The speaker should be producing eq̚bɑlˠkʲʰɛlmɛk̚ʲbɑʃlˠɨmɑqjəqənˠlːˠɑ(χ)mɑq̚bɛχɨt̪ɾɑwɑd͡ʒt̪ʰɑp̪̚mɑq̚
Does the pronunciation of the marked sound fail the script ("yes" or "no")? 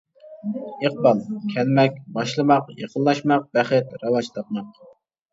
yes